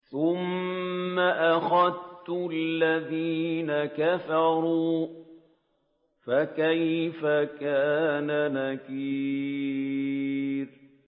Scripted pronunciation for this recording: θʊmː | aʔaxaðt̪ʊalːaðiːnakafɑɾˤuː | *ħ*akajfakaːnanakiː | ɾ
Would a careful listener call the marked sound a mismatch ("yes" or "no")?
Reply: yes